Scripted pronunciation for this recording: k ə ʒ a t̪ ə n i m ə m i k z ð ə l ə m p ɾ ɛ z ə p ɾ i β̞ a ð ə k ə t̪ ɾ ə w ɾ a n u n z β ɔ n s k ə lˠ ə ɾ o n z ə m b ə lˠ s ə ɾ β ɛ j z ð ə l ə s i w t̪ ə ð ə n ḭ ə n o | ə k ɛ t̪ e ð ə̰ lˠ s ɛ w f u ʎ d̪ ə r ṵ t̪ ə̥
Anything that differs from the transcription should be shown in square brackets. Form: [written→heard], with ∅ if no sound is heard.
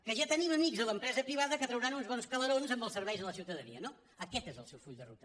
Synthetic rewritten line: k ə ʒ a t̪ ə n i m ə m i k z ð ə l ə m p ɾ ɛ z ə p ɾ i β̞ a ð ə k ə t̪ ɾ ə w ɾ a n u n z β ɔ n s k ə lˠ ə ɾ o n z ə m b ə lˠ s ə ɾ β ɛ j z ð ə l ə s i w t̪ ə ð ə n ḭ ə n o | ə k ɛ t̪ e [ð→z] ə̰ lˠ s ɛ w f u ʎ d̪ ə r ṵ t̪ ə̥